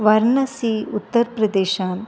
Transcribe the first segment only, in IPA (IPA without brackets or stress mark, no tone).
ʋ